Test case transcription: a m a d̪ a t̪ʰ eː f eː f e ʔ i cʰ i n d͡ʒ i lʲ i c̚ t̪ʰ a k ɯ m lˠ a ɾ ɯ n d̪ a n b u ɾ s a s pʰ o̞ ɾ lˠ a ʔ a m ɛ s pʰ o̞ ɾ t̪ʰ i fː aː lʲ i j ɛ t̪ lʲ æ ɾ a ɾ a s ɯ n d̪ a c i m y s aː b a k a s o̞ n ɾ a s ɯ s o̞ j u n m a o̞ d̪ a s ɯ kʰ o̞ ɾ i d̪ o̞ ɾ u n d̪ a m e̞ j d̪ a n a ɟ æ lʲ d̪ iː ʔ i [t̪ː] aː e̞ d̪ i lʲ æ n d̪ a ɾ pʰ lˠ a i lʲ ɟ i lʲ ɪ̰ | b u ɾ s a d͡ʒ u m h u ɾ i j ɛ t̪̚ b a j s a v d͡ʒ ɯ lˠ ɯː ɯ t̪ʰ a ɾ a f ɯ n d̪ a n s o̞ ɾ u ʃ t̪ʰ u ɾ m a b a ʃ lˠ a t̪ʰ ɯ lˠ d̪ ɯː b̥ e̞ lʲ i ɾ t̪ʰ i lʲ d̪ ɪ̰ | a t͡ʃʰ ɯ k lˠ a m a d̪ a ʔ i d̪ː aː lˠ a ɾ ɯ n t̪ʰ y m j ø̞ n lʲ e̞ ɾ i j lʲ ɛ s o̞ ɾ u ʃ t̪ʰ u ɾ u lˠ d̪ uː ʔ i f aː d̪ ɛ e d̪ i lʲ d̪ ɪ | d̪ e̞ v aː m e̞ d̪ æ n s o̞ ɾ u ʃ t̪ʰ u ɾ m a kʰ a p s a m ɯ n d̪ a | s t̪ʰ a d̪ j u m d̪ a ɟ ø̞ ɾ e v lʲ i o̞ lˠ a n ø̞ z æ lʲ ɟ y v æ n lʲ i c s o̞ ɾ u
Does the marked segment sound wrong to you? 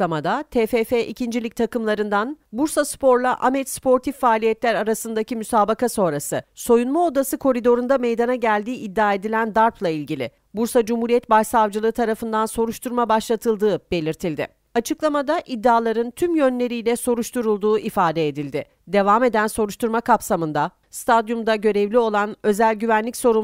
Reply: yes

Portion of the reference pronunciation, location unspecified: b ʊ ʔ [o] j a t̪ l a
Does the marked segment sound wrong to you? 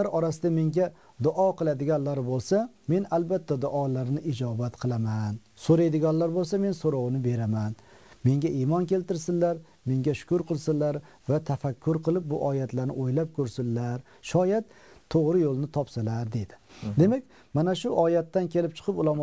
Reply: yes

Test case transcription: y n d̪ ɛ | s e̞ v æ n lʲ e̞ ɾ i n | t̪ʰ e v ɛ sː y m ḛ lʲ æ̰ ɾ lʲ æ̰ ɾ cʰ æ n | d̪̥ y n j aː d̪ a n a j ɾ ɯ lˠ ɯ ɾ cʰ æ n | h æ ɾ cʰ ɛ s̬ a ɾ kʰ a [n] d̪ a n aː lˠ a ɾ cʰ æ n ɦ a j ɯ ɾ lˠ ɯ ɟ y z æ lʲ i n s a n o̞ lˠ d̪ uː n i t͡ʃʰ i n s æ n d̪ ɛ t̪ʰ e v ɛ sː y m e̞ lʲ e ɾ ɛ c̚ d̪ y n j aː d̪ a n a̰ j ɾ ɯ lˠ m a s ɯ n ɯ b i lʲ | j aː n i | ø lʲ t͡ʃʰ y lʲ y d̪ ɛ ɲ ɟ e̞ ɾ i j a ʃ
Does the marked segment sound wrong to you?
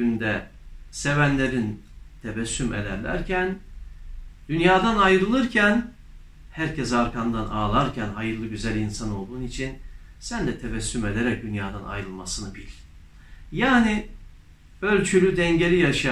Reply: no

